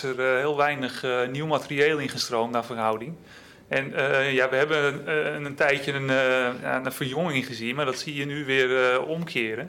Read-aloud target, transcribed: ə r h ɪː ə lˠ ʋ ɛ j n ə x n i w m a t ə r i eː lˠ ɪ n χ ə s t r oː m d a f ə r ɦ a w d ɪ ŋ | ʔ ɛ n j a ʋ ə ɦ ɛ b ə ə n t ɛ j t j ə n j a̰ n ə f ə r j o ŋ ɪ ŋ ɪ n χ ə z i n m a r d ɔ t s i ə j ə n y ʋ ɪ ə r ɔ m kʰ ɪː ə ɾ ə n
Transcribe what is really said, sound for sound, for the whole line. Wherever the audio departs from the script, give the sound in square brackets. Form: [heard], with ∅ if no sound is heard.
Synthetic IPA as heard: ə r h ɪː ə lˠ ʋ ɛ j n ə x n i w m a t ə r i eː lˠ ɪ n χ ə s t r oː m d a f ə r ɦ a w d ɪ ŋ | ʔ ɛ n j a ʋ ə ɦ ɛ b ə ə n t ɛ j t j ə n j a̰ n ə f ə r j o ŋ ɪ ŋ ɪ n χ ə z i n m a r d ɔ t s i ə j ə n y ʋ ɪ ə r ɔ m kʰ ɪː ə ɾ ə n